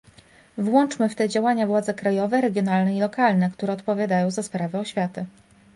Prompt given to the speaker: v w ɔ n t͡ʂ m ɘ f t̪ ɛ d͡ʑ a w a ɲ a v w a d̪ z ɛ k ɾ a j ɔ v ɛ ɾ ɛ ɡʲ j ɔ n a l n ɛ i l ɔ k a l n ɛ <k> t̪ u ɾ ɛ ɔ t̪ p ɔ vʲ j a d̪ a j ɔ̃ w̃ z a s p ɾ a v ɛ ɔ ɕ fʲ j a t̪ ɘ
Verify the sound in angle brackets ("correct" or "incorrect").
correct